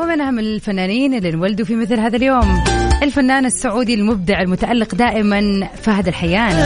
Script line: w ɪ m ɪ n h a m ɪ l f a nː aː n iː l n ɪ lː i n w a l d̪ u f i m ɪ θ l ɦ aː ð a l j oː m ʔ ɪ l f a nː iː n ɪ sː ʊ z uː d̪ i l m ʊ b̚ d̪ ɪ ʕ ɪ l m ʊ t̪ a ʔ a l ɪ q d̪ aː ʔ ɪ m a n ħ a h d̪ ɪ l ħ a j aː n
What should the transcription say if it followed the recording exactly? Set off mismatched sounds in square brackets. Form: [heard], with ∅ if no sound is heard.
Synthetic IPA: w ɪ m ɪ n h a m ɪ l f a nː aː n iː [∅] n ɪ lː i n w a l d̪ u f i m ɪ θ l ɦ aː ð a l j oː m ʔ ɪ l f a nː [aː] n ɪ sː ʊ [ʕ] uː d̪ i l m ʊ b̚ d̪ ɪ ʕ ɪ l m ʊ t̪ a ʔ a [lː] ɪ q d̪ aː ʔ ɪ m a n [f] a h d̪ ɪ l ħ a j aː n